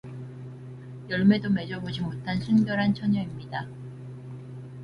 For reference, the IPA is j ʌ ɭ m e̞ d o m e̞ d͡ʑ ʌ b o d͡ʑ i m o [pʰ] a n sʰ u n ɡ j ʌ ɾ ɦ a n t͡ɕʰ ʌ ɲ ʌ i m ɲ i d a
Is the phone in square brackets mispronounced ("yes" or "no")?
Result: yes